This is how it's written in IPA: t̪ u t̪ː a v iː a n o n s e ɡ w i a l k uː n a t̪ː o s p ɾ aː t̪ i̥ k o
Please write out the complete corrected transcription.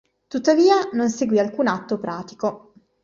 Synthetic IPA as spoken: t̪ u t̪ː a v iː a n o n s e ɡ w i a l k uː n a t̪ː o p ɾ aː t̪ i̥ k o